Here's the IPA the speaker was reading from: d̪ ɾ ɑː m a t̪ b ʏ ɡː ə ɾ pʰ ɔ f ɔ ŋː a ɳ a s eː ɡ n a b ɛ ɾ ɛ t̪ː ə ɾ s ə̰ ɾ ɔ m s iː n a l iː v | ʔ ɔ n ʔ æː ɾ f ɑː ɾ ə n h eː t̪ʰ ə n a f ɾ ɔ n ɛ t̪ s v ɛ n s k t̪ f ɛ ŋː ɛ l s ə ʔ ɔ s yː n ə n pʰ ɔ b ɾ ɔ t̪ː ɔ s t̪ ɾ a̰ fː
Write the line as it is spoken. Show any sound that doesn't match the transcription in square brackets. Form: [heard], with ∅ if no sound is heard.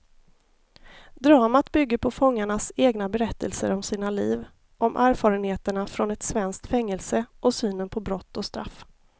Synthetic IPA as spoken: d̪ ɾ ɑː m a t̪ b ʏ ɡː ə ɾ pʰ ɔ f ɔ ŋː a ɳ a s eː ɡ n a b ɛ ɾ ɛ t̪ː ə [l] s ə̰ ɾ ɔ m s iː n a l iː v | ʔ ɔ [m] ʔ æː ɾ f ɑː ɾ ə n h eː [t̪] ə [ɳ] a f ɾ ɔ n ɛ t̪ s v ɛ n s k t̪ f ɛ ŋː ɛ l s ə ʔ ɔ s yː n ə n pʰ ɔ b ɾ ɔ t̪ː ɔ s t̪ ɾ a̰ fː